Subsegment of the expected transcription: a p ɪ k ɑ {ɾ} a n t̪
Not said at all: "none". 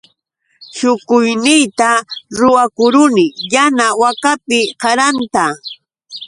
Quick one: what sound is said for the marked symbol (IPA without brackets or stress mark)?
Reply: ɾ